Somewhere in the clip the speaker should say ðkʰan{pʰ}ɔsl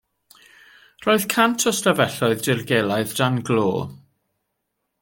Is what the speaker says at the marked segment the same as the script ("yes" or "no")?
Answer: no